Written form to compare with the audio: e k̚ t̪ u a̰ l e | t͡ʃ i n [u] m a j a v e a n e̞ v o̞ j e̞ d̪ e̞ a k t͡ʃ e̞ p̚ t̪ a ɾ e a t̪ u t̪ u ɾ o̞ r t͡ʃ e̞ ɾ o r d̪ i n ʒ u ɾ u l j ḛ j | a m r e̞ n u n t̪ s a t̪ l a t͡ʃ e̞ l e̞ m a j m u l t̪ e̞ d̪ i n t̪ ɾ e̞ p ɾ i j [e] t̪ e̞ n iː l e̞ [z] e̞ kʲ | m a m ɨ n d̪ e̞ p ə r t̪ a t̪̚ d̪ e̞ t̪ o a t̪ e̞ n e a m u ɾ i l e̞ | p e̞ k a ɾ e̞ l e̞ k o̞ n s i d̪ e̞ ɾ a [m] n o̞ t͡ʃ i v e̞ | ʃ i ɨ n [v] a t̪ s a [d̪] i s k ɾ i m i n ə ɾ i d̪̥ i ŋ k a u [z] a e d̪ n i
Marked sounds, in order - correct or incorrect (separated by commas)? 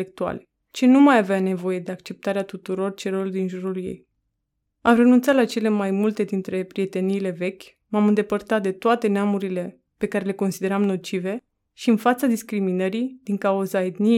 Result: correct, correct, incorrect, correct, incorrect, correct, correct